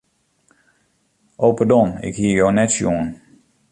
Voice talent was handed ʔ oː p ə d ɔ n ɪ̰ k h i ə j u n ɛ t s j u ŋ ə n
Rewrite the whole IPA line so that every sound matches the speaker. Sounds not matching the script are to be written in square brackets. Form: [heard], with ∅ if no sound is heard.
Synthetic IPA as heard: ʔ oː p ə d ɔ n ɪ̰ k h i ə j [o] n ɛ t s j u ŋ ə n